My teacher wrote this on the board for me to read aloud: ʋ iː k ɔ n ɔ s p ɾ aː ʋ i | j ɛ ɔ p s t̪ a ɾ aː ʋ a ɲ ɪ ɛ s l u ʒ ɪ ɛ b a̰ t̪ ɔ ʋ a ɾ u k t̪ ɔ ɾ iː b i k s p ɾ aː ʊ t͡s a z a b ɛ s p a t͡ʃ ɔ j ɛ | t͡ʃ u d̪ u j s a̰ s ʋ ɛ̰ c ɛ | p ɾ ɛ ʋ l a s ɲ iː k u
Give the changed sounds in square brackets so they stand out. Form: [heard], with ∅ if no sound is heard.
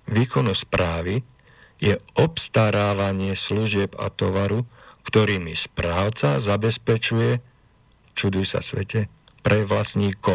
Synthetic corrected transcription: ʋ iː k ɔ n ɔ s p ɾ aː ʋ i | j ɛ ɔ p s t̪ a ɾ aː ʋ a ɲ ɪ ɛ s l u ʒ ɪ ɛ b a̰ t̪ ɔ ʋ a ɾ u k t̪ ɔ ɾ iː [m] i [∅] s p ɾ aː ʊ t͡s a z a b ɛ s p [ɛ] t͡ʃ [u] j ɛ | t͡ʃ u d̪ u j s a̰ s ʋ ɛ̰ c ɛ | p ɾ ɛ ʋ l a s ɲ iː k [ɔ]